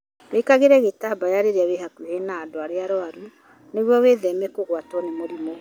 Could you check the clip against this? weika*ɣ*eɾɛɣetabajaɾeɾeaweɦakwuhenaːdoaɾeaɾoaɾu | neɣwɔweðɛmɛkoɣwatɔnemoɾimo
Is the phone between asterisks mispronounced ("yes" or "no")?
no